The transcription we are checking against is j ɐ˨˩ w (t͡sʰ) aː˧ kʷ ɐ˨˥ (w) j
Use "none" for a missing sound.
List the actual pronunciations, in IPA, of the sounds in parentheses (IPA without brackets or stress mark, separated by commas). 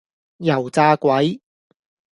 t͡s, none